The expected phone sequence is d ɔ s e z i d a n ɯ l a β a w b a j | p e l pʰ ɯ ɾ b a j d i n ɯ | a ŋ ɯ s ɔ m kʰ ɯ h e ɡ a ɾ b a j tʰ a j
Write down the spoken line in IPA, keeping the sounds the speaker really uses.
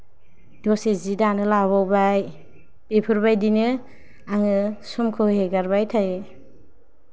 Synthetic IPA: d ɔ s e z i d a n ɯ l a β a w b a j | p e pʰ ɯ ɾ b a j d i n ɯ | a ŋ ɯ s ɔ m kʰ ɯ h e ɡ a ɾ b a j tʰ a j